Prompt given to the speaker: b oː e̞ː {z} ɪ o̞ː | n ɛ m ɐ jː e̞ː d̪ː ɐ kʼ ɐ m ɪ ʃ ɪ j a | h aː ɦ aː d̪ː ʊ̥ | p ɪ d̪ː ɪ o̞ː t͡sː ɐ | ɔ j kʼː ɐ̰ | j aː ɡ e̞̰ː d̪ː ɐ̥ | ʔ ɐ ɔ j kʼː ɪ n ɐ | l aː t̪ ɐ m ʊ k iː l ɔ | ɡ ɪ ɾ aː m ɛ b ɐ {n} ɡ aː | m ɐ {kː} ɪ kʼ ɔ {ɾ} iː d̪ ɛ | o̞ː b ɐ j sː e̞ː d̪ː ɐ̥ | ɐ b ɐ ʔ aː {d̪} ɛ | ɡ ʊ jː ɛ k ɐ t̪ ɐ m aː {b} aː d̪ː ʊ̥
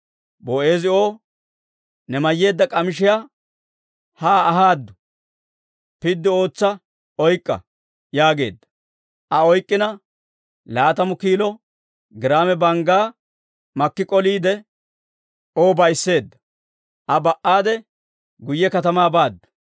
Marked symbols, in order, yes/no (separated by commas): yes, no, yes, no, yes, yes